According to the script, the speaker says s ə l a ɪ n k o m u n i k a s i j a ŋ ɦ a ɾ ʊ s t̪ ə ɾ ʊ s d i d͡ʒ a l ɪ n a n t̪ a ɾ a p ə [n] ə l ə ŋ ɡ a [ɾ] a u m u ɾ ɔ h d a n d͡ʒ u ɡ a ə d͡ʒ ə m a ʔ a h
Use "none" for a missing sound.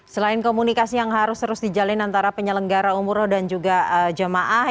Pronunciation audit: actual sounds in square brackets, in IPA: ɲ, ɾ

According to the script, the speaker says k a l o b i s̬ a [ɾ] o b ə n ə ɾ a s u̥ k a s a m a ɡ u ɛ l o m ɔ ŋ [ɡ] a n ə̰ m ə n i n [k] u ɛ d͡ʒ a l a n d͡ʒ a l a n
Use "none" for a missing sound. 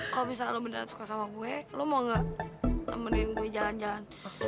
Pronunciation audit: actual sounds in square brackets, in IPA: l, ɡ, ɡ

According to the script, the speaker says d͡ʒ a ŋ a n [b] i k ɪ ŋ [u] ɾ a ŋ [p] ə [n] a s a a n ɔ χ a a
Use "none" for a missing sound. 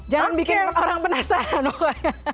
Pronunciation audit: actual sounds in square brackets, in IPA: b, o, p, n

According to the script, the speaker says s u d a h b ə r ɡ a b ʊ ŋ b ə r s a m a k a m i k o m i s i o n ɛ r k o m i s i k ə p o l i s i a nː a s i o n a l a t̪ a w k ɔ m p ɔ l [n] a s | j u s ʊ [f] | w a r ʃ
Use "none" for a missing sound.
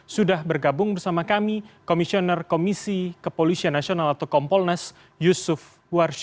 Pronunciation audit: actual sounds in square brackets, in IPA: n, f

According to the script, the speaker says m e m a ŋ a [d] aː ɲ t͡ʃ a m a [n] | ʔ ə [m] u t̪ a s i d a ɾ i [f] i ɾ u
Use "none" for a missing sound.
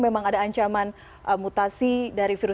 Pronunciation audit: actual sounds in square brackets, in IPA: d, n, m, f

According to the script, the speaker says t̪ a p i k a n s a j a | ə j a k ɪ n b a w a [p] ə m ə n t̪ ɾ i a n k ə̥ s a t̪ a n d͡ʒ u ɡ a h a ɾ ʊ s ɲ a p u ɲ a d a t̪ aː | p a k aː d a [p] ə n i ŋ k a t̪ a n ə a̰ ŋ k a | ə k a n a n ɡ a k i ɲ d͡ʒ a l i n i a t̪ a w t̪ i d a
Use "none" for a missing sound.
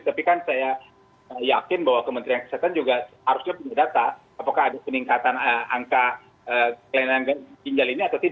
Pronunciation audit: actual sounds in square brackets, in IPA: k, p

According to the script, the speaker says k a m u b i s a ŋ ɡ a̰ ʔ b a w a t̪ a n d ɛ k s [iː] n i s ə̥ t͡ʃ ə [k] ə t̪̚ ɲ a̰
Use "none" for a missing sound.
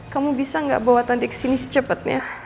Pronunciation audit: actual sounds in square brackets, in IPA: i, p

